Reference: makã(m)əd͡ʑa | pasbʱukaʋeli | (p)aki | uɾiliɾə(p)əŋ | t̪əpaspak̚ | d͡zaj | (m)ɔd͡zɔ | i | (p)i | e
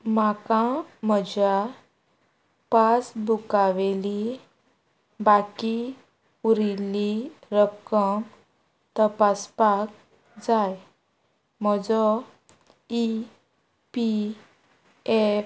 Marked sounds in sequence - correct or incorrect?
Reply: correct, incorrect, incorrect, correct, correct

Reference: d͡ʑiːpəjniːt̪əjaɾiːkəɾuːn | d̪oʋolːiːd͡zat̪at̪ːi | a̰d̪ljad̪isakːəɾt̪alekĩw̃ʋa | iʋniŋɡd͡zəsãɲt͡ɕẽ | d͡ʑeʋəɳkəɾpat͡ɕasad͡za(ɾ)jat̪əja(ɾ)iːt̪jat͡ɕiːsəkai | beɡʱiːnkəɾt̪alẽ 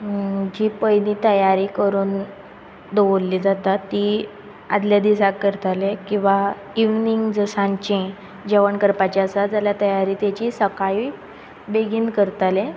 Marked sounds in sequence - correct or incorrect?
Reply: incorrect, correct

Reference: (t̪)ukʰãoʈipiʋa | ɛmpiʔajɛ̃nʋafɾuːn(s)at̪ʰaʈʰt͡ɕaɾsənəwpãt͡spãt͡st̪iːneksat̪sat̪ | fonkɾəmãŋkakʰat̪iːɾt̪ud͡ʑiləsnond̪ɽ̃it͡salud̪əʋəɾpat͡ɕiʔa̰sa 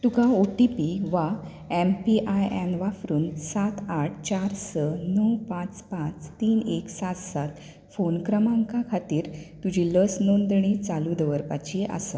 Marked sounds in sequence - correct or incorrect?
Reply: correct, correct

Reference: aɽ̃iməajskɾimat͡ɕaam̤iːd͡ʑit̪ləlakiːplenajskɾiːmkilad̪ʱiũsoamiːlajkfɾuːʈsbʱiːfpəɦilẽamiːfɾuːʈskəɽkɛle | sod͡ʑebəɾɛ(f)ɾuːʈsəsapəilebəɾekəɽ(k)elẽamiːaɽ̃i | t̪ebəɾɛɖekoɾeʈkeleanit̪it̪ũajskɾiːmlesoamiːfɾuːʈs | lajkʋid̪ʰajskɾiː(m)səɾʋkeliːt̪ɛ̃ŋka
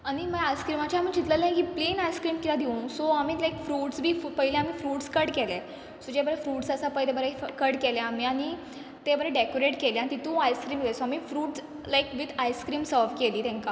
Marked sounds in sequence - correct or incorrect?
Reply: correct, correct, correct

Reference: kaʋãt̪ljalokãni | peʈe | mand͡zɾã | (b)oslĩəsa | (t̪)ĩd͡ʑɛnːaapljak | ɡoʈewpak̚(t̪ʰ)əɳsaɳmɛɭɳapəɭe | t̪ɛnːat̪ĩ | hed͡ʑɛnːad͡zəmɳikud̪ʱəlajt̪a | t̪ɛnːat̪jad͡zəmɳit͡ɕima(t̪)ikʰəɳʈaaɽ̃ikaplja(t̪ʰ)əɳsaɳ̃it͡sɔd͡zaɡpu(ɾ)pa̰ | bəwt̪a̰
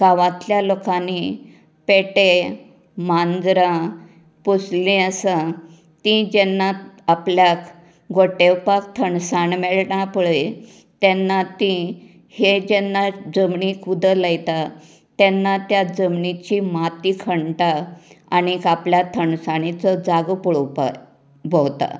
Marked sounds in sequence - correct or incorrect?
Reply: incorrect, correct, correct, correct, correct, incorrect

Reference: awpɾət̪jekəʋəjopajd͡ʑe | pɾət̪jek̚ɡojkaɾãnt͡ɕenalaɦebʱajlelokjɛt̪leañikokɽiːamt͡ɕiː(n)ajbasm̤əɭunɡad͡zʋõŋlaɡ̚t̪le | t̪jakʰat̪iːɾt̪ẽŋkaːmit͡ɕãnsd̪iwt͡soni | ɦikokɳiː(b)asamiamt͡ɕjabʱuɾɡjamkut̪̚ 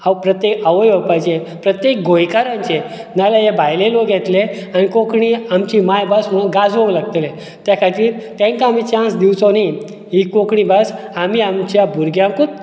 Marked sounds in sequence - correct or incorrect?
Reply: incorrect, correct

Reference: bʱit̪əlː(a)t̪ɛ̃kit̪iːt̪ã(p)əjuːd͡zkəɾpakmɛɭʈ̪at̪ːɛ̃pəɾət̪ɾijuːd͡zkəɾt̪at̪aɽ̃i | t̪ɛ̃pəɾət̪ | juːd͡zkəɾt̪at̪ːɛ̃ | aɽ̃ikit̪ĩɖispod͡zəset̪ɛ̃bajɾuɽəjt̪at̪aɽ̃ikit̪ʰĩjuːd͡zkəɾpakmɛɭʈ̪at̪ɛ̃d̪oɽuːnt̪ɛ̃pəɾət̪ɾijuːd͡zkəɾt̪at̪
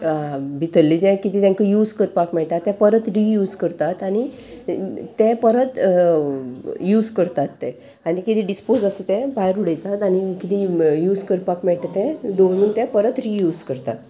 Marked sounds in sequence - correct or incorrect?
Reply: incorrect, incorrect

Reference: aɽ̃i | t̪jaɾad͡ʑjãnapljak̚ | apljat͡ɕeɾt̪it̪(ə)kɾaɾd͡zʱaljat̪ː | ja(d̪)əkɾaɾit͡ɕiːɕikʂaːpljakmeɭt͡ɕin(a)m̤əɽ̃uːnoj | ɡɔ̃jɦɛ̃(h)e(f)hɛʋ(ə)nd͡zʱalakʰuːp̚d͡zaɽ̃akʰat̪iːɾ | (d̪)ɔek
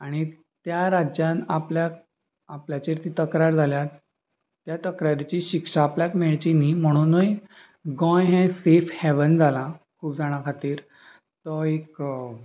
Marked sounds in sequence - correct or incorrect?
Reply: correct, incorrect, incorrect, incorrect, correct, correct, incorrect

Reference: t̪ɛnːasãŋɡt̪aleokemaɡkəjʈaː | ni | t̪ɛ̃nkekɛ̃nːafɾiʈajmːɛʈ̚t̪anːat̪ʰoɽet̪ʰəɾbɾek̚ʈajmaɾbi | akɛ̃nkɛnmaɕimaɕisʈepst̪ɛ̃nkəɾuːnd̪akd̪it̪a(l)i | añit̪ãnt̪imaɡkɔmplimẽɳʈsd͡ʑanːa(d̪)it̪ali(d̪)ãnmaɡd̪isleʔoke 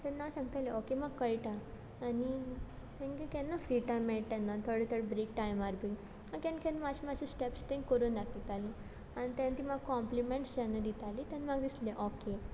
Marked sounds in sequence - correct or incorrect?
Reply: correct, correct, incorrect

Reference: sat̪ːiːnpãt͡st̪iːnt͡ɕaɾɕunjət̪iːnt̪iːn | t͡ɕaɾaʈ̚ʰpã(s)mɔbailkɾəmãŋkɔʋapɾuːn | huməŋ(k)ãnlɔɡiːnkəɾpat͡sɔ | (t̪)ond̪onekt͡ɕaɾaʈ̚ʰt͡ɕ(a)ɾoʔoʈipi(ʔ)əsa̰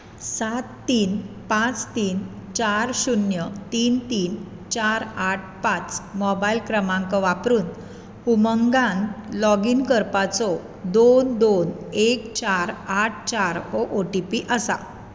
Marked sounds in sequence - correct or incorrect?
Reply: incorrect, incorrect, incorrect, correct, correct

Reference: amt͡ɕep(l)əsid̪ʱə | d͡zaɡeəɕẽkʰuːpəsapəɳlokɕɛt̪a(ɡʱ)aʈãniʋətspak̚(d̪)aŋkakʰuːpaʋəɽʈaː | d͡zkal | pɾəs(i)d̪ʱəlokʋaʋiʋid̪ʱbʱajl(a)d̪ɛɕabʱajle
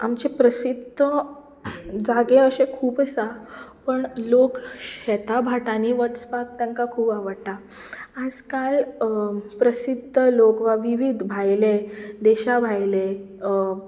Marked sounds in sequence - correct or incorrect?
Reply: incorrect, incorrect, incorrect, correct, incorrect

